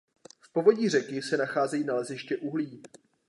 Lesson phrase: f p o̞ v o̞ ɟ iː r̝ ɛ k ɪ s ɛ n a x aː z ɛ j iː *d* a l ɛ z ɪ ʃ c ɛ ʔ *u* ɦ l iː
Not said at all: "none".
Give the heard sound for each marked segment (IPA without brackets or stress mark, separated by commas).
n, u